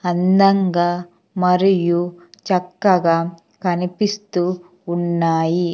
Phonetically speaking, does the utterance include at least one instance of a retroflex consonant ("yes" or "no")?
no